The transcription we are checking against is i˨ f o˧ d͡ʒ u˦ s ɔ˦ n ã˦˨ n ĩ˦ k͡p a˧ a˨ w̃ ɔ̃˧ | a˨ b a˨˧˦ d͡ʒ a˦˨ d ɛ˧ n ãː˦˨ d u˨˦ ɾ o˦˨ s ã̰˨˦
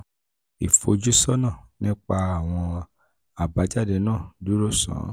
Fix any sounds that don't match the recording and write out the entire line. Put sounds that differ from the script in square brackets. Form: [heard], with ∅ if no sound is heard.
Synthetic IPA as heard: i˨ f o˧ d͡ʒ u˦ s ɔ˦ n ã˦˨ n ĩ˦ k͡p a˧ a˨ w̃ ɔ̃˧ | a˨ b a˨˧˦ d͡ʒ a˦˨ d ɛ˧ n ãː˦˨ d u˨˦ ɾ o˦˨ s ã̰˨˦